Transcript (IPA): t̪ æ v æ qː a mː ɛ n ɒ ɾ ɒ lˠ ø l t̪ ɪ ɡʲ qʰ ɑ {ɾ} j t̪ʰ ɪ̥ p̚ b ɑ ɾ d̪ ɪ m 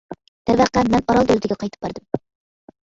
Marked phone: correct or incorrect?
incorrect